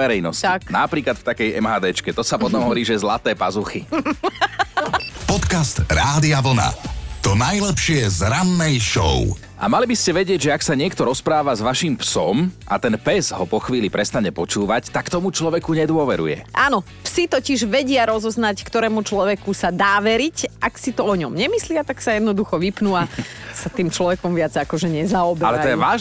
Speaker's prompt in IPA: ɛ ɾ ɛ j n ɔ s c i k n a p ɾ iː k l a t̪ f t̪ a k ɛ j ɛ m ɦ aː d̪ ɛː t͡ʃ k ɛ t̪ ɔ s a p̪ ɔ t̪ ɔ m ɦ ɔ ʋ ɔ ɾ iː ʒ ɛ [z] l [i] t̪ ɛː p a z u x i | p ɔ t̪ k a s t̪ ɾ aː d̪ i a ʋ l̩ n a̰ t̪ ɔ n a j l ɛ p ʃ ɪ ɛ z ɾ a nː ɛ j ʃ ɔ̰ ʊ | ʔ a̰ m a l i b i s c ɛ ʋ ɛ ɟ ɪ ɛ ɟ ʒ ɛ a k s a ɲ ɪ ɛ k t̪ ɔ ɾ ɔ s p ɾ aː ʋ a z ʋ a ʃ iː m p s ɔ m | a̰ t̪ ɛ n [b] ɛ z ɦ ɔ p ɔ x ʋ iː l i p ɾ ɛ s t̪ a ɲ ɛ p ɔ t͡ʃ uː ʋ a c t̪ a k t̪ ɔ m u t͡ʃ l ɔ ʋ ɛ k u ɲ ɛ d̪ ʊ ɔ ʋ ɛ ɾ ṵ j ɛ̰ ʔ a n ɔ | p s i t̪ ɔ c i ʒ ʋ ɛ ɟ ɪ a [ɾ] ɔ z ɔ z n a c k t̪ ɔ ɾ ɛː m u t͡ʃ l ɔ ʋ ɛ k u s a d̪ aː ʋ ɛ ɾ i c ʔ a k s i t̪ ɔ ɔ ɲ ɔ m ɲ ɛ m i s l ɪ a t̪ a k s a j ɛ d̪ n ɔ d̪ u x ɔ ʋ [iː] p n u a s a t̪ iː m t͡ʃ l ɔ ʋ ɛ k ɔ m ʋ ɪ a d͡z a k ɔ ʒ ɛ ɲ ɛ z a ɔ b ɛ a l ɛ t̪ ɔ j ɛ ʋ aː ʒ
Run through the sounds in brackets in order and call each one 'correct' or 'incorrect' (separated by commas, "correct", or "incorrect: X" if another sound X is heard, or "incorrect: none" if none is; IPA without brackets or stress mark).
correct, incorrect: a, incorrect: p, correct, incorrect: i